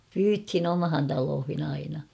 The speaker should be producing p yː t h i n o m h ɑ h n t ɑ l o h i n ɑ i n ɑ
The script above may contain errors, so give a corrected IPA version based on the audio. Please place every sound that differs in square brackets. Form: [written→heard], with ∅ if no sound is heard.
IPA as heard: p yː t h i n o m h ɑ [h→∅] n t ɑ l [o→oː] h i n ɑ i n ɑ